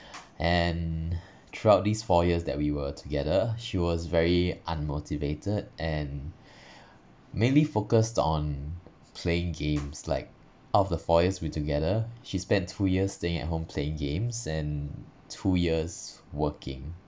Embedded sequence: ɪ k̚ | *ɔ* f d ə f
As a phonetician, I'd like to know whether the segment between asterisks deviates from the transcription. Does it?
no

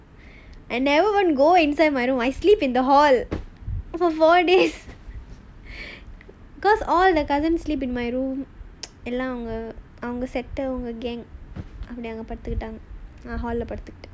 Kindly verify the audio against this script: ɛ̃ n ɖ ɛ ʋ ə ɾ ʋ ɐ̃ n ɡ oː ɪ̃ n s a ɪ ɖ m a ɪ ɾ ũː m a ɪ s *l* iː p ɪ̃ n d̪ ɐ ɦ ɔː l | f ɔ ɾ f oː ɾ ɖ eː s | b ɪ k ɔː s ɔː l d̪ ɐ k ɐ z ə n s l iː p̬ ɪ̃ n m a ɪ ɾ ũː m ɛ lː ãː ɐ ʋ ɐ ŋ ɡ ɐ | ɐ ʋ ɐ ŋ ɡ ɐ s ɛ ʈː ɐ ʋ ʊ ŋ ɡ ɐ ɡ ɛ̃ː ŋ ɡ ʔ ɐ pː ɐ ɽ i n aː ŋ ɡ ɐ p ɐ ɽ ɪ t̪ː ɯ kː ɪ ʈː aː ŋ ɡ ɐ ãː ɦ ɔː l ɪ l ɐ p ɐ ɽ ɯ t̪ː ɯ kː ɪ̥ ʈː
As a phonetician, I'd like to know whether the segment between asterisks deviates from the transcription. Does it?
no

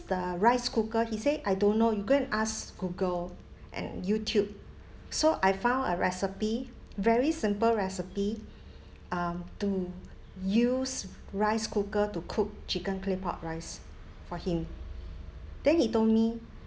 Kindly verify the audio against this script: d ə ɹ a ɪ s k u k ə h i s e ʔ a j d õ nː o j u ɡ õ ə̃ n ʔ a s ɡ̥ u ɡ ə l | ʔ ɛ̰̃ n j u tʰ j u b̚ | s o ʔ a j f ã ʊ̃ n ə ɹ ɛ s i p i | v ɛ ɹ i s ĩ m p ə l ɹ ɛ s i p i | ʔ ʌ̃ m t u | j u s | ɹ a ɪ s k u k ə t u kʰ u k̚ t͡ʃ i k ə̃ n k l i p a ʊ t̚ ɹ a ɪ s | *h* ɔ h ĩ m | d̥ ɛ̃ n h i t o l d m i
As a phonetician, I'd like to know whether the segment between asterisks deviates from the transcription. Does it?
yes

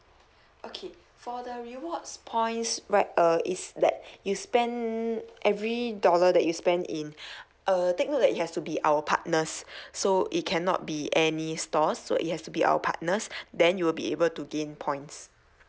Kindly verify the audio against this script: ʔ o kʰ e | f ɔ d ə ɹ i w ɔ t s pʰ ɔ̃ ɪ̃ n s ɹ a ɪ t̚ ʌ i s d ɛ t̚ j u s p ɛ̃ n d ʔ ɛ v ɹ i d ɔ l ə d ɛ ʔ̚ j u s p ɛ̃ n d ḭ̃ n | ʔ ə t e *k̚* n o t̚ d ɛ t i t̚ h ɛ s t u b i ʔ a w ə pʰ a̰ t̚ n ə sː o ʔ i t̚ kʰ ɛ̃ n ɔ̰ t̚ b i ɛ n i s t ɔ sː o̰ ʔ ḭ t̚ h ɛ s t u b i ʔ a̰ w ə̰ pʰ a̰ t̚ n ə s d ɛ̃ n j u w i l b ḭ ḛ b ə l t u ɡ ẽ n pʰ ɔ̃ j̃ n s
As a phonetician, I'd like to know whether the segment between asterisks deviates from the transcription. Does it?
no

